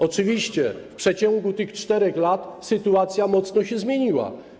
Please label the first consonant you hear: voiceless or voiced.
voiceless